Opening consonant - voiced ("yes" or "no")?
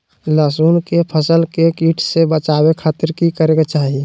yes